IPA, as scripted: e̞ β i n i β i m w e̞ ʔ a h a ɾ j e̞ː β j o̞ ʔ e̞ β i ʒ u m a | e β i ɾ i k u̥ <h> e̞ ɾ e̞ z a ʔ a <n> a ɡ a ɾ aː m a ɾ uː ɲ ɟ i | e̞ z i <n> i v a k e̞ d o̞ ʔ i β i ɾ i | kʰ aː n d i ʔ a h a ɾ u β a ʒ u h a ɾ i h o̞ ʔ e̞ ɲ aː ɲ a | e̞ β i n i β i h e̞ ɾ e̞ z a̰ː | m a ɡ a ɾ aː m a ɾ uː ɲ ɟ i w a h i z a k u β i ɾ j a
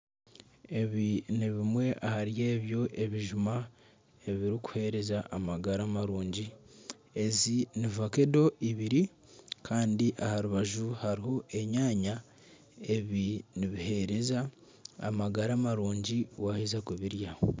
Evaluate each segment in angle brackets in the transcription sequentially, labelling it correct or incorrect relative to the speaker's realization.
correct, incorrect: m, correct

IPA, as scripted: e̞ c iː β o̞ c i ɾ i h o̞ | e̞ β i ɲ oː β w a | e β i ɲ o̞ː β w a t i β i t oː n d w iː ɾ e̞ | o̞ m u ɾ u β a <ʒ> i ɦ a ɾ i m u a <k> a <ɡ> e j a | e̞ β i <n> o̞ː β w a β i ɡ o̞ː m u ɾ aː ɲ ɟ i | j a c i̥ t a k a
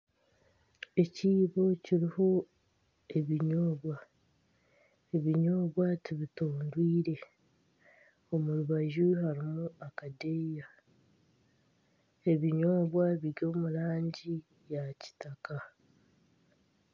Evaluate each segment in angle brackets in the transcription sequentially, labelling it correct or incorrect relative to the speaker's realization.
correct, correct, incorrect: d, incorrect: ɲ

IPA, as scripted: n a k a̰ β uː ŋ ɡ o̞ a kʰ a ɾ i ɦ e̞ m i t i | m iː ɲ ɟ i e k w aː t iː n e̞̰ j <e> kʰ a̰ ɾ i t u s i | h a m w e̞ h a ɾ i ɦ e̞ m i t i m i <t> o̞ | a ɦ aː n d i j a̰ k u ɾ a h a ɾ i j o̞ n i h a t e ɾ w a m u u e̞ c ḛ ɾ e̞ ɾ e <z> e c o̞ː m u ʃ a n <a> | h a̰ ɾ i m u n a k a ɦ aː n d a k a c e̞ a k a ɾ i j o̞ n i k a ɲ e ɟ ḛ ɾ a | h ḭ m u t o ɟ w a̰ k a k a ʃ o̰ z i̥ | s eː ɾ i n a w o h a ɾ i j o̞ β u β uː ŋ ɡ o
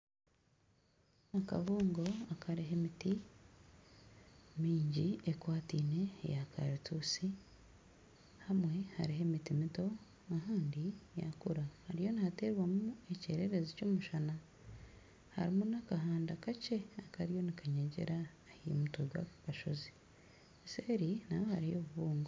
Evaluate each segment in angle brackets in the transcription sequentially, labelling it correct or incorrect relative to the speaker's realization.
incorrect: a, correct, correct, correct

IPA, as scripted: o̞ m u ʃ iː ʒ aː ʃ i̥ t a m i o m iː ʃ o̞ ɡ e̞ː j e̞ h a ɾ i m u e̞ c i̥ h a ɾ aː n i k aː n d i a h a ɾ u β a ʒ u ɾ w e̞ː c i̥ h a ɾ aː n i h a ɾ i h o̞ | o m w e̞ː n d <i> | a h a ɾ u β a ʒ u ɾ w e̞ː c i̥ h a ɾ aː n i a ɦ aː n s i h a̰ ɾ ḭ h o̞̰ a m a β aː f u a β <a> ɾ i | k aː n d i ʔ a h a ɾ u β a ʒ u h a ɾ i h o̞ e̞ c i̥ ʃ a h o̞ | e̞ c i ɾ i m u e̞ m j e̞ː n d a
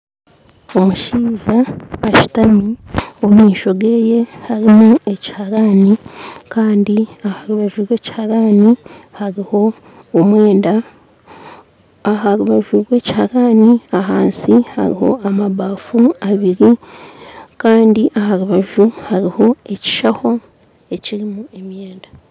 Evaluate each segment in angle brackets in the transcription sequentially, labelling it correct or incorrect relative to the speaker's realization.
incorrect: a, incorrect: i

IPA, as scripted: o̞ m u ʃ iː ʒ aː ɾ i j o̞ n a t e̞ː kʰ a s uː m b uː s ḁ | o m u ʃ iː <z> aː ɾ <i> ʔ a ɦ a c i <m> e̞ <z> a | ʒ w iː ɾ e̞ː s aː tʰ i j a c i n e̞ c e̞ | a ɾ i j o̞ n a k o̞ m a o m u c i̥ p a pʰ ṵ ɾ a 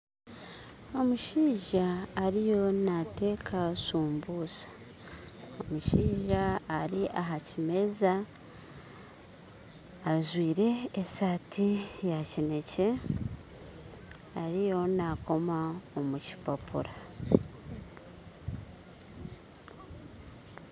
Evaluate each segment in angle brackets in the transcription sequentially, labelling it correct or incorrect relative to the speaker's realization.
incorrect: ʒ, correct, correct, correct

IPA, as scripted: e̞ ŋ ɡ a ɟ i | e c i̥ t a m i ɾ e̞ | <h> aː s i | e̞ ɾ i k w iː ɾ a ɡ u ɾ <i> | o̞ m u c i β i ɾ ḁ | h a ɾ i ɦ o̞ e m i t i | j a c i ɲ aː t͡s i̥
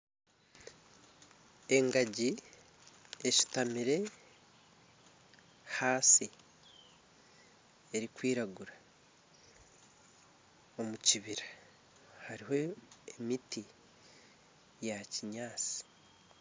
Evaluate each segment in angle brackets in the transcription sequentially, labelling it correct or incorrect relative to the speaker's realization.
correct, incorrect: a

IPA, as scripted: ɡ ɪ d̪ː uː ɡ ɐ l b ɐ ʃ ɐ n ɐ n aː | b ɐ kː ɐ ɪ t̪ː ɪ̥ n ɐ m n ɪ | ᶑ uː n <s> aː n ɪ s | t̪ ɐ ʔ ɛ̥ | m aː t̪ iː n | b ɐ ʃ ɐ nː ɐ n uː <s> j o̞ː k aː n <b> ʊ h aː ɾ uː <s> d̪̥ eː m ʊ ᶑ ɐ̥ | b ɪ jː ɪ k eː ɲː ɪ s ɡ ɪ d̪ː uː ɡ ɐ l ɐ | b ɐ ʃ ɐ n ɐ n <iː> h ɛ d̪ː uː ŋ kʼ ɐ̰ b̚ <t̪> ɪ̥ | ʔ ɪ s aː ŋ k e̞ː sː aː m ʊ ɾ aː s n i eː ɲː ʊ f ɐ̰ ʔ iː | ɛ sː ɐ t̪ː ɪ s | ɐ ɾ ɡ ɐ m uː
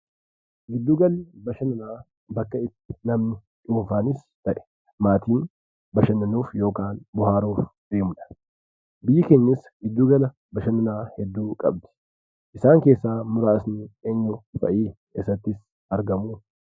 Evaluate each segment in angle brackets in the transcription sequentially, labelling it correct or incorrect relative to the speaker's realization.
incorrect: f, incorrect: f, correct, incorrect: f, incorrect: aː, incorrect: d̪

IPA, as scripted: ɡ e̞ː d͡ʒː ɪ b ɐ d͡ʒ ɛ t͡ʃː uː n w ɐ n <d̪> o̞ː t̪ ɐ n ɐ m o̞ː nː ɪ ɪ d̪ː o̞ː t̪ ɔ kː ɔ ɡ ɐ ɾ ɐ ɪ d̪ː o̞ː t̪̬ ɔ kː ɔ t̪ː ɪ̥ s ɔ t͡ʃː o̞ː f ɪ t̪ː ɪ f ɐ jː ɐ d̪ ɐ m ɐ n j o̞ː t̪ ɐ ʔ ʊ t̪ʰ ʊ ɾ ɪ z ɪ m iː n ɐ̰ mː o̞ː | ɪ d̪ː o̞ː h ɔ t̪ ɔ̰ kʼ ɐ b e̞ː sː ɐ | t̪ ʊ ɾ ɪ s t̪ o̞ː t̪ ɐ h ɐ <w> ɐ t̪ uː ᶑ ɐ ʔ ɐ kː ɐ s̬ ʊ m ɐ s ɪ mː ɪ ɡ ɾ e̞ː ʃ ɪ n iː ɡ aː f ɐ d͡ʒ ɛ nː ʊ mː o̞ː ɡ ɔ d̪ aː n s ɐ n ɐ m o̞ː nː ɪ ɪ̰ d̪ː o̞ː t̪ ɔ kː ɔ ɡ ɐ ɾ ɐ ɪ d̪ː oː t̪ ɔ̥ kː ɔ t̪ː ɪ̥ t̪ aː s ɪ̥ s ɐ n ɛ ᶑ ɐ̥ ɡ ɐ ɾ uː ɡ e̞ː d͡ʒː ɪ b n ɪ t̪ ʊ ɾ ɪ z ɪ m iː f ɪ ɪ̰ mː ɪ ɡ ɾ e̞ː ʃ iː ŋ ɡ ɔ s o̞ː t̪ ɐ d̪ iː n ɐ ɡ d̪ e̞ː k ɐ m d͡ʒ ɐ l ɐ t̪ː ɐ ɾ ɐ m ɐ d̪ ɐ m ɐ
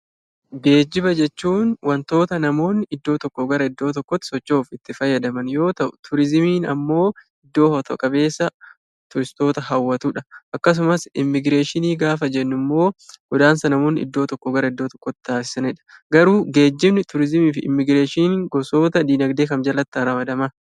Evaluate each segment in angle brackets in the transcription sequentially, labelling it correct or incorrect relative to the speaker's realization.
incorrect: t̪, incorrect: wː

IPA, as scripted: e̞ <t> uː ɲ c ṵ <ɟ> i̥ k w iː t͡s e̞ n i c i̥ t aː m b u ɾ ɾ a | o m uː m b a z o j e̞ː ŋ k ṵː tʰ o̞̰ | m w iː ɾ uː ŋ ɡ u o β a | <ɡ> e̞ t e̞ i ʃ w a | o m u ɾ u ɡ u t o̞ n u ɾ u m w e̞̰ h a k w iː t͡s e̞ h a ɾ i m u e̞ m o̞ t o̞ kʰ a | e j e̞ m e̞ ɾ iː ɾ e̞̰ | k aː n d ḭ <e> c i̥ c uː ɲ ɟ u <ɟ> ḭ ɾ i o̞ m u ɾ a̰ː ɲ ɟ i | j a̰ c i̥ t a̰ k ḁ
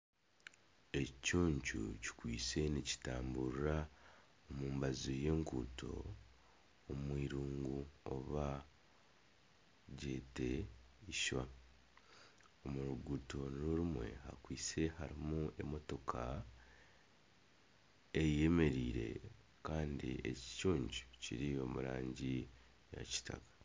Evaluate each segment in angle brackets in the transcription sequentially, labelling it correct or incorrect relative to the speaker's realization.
incorrect: c, incorrect: c, incorrect: ɟ, correct, incorrect: c

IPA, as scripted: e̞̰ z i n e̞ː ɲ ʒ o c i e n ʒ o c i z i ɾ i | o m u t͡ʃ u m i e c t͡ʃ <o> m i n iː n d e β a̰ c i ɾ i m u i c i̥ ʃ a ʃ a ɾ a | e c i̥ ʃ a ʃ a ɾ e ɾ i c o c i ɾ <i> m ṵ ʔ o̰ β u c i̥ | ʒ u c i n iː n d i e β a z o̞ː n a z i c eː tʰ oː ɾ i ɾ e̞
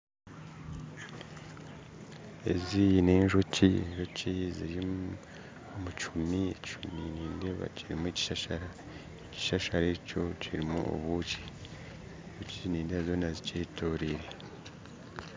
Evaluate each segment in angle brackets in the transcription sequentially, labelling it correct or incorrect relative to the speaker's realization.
incorrect: u, correct

